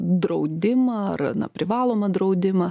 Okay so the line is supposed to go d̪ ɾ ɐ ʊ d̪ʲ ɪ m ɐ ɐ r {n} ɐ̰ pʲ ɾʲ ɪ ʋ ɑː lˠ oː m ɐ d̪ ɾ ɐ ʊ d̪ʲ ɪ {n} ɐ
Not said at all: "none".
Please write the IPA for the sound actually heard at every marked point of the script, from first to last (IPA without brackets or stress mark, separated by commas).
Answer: n, m